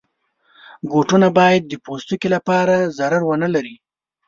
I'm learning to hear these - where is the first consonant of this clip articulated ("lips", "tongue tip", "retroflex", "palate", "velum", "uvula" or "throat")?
velum